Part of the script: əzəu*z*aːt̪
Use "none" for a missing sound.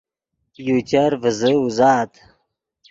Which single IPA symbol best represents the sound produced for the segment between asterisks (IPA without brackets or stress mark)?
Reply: z